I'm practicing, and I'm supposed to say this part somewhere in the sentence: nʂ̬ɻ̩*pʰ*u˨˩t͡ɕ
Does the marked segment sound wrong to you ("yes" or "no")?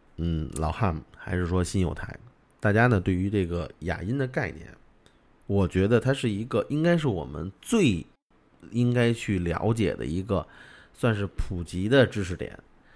no